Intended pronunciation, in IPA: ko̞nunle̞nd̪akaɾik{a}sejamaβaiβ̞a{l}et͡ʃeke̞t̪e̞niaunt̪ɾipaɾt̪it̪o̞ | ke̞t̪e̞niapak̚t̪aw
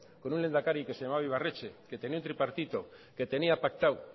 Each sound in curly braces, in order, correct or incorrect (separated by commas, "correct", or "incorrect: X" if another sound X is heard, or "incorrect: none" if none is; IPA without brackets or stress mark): incorrect: e, incorrect: r